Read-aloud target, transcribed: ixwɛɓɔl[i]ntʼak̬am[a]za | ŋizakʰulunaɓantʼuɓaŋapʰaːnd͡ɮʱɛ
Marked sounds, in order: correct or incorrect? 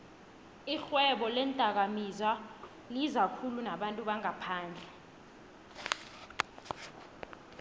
incorrect, incorrect

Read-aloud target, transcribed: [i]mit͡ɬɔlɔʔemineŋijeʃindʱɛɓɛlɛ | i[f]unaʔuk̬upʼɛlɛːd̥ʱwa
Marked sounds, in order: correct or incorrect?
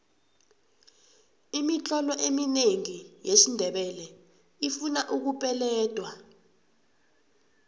correct, correct

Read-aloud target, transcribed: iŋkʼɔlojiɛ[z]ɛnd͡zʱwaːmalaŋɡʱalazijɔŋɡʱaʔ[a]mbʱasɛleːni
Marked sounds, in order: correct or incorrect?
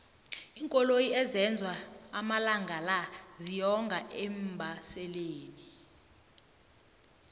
correct, incorrect

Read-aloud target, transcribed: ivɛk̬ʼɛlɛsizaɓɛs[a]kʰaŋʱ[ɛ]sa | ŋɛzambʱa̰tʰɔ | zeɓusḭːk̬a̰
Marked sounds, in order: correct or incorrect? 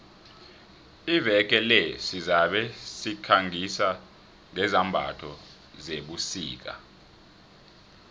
incorrect, incorrect

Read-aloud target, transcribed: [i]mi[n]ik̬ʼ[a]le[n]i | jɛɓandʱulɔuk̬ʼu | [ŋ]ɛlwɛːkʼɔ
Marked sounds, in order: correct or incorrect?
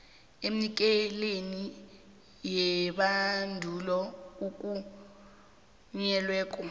incorrect, correct, incorrect, correct, incorrect

